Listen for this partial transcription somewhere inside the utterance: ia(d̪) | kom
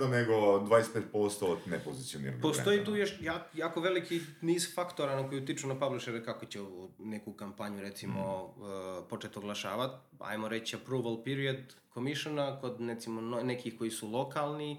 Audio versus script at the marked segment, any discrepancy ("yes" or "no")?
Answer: no